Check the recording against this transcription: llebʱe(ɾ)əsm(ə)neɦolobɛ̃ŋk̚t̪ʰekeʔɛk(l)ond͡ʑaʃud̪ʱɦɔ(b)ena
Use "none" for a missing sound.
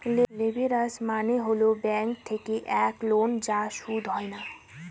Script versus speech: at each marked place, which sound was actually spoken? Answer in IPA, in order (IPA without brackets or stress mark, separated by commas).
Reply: ɾ, a, l, none